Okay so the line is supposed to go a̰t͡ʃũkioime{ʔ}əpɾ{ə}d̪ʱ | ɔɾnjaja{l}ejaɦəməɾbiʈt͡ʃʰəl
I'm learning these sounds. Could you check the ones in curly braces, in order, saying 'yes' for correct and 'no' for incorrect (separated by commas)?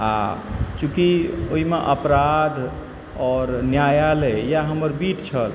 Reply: yes, no, yes